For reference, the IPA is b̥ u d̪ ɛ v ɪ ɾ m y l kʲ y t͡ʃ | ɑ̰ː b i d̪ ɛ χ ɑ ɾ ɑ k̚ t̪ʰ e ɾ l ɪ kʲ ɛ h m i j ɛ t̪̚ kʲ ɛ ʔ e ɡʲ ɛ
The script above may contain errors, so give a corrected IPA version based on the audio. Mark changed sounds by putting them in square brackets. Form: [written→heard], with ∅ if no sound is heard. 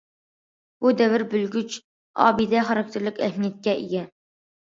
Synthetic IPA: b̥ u d̪ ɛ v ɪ ɾ [m→b] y l [kʲ→ɡʲ] y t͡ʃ | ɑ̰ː b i d̪ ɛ χ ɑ ɾ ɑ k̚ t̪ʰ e ɾ l ɪ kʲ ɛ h m i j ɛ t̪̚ kʲ ɛ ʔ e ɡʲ ɛ